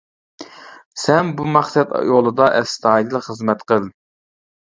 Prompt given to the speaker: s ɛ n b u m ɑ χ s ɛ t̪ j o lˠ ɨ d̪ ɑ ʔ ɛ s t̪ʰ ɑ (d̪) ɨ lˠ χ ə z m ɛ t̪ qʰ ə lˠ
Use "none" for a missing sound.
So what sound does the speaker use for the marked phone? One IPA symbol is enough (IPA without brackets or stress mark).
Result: d̪